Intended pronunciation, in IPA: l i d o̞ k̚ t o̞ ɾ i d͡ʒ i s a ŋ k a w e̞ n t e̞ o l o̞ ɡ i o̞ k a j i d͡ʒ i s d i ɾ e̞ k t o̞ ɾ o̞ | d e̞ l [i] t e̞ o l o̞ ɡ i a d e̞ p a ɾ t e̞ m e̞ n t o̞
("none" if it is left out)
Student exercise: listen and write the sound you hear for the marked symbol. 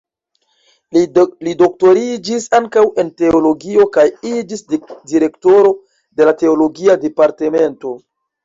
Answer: a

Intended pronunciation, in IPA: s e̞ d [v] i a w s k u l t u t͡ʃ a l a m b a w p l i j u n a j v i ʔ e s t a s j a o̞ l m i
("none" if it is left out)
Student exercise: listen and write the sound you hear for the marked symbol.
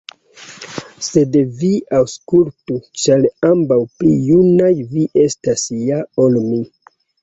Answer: v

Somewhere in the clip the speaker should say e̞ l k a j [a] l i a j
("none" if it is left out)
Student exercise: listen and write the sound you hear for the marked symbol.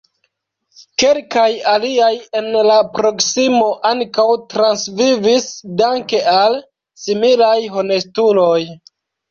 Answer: a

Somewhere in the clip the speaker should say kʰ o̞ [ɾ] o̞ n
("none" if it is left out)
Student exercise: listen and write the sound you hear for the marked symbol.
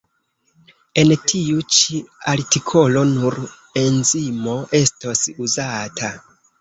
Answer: l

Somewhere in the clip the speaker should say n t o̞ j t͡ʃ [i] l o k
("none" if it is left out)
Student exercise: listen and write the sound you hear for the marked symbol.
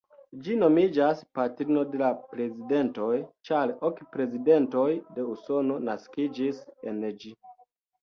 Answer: a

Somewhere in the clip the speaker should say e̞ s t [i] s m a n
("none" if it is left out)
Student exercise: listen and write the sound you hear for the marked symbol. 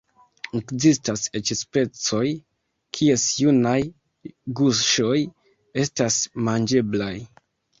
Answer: a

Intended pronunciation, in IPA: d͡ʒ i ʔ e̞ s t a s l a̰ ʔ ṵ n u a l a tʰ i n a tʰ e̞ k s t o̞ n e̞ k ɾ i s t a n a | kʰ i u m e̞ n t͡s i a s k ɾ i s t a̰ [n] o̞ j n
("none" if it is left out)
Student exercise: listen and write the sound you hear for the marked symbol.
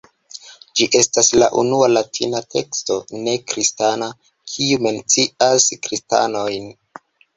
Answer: n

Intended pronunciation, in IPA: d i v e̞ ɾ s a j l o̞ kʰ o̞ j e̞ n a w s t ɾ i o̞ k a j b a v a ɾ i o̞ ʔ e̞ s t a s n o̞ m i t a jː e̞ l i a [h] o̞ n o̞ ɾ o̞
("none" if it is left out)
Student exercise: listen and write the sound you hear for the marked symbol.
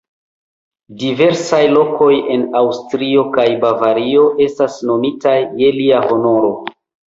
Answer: h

